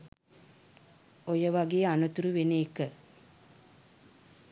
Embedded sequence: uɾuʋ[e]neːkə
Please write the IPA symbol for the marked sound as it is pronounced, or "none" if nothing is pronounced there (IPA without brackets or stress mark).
e